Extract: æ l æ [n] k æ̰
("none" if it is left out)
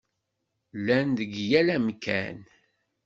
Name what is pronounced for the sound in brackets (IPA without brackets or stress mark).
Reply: m